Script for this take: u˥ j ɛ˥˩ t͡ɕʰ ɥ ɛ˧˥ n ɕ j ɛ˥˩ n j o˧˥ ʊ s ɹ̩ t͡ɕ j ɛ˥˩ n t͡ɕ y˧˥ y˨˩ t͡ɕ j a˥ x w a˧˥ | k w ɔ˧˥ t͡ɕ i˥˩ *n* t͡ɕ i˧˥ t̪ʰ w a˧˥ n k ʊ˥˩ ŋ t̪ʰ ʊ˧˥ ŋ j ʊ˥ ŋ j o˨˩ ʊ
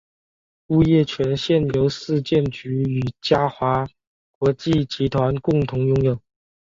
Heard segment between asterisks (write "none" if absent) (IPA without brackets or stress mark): none